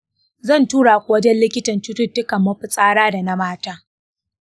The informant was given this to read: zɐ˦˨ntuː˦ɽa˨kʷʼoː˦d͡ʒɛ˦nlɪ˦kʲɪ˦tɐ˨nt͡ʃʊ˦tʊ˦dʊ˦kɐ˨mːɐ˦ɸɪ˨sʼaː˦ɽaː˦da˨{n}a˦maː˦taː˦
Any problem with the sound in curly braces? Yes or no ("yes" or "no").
no